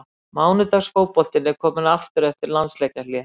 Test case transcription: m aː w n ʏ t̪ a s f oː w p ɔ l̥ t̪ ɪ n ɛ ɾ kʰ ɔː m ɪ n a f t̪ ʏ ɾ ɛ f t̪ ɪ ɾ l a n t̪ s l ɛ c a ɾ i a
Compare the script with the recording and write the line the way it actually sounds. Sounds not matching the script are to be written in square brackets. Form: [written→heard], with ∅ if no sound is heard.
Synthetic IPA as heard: m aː w n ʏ t̪ a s f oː w p ɔ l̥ t̪ ɪ n ɛ ɾ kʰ ɔː m ɪ n a f t̪ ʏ ɾ ɛ f t̪ ɪ ɾ l a n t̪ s l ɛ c a [ɾ→l] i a